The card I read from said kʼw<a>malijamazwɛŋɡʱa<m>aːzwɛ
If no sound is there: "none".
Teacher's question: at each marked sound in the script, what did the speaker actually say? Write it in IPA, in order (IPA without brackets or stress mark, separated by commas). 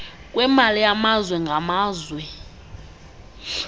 ɛ, m